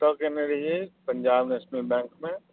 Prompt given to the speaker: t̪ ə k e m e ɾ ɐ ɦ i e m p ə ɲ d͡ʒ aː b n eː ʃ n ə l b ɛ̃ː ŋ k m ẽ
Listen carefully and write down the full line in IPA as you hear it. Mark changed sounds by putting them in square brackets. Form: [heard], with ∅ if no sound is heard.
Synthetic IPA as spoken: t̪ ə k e [n] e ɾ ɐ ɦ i e [∅] p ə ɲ d͡ʒ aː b n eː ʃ n ə l b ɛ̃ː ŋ k m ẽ